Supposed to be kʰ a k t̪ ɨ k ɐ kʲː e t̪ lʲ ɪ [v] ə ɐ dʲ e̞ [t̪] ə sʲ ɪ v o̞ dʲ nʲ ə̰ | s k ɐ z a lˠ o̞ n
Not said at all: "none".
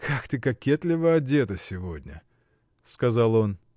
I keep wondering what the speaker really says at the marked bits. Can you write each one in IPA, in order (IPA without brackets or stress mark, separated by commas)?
v, t̪